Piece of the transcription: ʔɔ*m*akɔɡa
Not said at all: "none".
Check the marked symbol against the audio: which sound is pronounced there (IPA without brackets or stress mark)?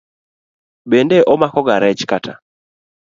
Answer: m